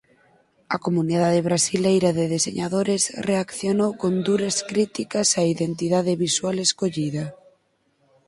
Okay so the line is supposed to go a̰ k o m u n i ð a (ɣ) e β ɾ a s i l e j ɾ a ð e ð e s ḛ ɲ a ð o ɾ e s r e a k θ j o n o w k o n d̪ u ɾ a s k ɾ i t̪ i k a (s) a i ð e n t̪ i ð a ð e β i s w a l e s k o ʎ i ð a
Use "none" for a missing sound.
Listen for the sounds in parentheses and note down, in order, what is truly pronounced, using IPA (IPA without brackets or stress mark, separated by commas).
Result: ð, s